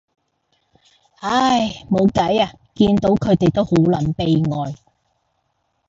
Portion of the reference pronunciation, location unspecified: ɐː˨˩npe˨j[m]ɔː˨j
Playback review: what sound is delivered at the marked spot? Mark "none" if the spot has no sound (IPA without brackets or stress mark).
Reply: ŋ